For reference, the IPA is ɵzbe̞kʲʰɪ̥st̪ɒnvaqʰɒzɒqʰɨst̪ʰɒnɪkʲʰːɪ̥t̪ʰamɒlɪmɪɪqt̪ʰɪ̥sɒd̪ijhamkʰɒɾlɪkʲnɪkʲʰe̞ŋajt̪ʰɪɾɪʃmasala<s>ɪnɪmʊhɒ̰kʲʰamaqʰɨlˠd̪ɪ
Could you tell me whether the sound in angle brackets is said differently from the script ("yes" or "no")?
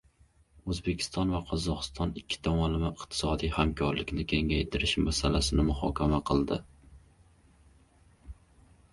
no